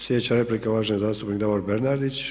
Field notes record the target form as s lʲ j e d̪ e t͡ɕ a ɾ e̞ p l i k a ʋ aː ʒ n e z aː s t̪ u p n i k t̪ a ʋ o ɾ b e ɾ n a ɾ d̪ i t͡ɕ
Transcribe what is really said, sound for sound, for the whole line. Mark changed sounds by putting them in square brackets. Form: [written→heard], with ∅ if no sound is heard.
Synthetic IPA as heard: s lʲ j e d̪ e t͡ɕ a ɾ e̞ p l i k a ʋ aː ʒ n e z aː s t̪ u p n i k [t̪→d̪] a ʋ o ɾ b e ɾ n a ɾ d̪ i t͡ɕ